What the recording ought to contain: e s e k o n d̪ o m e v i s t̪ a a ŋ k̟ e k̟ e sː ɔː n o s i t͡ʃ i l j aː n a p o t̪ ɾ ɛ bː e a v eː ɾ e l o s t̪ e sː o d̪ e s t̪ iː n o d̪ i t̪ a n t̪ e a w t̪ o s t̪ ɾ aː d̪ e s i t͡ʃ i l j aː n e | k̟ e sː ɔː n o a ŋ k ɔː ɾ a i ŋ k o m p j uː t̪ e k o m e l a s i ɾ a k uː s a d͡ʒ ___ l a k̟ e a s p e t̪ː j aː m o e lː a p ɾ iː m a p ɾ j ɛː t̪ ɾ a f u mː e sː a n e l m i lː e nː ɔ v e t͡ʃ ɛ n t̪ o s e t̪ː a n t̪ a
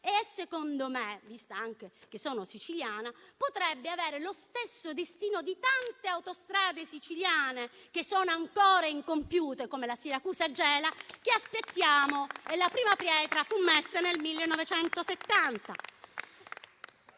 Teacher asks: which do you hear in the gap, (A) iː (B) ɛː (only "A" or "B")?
B